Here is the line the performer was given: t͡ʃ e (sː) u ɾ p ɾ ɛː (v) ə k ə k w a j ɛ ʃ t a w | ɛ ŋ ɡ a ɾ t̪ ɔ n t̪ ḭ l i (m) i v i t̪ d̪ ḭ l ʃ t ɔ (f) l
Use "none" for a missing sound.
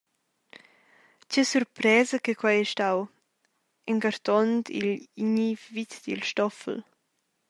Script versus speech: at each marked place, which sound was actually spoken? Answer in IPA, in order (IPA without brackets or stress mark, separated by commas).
s, z, ɲ, f